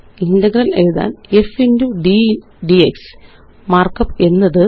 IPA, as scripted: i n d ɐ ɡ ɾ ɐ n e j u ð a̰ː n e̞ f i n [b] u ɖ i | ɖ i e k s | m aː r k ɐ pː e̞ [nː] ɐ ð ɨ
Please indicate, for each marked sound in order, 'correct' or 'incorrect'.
incorrect, correct

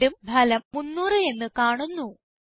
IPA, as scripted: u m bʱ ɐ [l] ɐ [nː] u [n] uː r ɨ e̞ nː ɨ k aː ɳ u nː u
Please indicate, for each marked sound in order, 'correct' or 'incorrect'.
correct, incorrect, incorrect

